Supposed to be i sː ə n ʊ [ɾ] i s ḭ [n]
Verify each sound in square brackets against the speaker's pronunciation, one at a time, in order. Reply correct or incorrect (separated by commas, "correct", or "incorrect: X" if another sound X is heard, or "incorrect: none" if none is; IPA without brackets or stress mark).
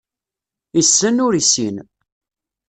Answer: correct, correct